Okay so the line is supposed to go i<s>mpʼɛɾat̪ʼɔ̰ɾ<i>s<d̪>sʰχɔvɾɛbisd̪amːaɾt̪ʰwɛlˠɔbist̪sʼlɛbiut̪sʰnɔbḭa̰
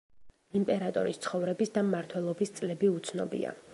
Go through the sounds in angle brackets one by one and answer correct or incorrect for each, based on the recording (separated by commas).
incorrect, correct, incorrect